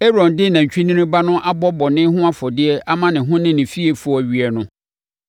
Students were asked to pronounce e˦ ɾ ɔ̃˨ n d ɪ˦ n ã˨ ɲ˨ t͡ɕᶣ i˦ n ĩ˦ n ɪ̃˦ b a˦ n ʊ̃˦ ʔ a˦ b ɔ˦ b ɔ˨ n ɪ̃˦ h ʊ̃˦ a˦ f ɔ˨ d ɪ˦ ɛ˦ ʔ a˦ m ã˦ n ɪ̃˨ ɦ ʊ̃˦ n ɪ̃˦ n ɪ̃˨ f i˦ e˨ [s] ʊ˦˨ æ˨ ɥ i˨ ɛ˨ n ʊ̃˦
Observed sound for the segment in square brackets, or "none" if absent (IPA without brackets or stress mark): f